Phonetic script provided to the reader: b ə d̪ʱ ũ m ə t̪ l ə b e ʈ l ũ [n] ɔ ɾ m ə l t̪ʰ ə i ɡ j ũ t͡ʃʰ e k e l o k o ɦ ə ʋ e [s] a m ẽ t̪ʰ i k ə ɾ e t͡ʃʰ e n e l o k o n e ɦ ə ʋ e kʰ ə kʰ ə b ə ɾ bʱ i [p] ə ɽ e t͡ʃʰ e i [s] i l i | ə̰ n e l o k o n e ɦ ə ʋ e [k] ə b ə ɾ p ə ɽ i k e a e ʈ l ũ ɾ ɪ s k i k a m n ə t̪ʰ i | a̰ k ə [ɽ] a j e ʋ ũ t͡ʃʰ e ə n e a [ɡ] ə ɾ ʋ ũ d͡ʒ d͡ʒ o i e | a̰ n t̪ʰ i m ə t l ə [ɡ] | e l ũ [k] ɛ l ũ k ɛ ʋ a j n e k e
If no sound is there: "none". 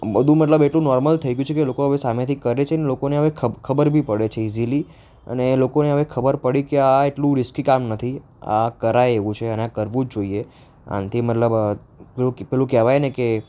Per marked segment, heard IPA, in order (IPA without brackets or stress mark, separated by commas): n, s, p, z, kʰ, ɾ, k, b, p